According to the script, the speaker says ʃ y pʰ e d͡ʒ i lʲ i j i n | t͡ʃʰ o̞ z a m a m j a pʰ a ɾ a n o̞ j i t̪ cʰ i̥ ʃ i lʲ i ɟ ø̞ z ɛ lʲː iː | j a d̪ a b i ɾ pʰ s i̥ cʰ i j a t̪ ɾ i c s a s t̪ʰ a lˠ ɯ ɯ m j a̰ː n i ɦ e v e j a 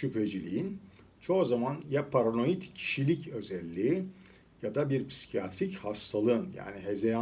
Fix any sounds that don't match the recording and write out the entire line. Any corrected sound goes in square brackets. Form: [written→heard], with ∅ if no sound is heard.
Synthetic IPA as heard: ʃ y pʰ e d͡ʒ i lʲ i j i n | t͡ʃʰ o̞ z a m a [m→n] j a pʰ a ɾ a n o̞ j i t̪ cʰ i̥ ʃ i lʲ i [ɟ→c] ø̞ z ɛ lʲː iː | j a d̪ a b i ɾ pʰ s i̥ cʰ i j a t̪ ɾ i c [s→h] a s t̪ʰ a lˠ ɯ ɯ [m→n] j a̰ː n i ɦ e [v→z] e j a